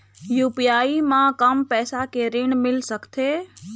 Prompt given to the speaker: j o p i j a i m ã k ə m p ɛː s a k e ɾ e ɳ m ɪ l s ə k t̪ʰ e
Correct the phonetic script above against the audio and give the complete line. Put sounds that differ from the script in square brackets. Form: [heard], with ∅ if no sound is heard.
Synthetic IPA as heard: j [u] p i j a i m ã k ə m p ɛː s a k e ɾ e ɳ m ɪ l s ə k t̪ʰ e